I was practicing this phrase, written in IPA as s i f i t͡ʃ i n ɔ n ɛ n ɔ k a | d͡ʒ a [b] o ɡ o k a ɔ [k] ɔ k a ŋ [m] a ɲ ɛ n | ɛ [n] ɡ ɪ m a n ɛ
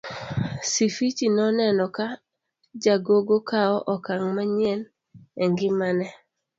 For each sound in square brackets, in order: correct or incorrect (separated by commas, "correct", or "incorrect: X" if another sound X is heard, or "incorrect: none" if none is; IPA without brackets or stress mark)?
incorrect: ɡ, incorrect: ʔ, correct, incorrect: ŋ